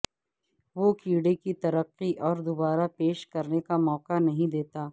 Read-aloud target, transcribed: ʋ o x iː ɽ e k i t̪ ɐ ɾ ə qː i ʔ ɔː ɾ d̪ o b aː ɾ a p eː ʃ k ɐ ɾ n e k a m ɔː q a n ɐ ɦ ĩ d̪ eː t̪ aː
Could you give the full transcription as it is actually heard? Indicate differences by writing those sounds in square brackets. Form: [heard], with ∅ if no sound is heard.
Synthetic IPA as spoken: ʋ o [k] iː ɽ e k i t̪ ɐ ɾ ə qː i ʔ ɔː ɾ d̪ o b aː ɾ a p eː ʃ k ɐ ɾ n e k a m ɔː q a n ɐ ɦ ĩ d̪ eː t̪ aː